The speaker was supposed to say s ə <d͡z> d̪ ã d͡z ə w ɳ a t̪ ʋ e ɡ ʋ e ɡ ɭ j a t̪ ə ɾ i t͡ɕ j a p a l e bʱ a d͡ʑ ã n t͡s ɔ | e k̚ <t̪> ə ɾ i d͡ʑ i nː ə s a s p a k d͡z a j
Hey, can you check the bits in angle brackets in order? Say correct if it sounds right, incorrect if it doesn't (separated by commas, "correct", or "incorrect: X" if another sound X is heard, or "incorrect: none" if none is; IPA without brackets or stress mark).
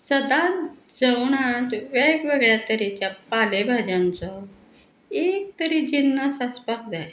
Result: incorrect: none, correct